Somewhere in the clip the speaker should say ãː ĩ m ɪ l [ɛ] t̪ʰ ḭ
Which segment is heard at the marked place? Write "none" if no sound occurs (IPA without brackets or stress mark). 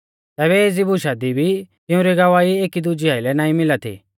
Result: a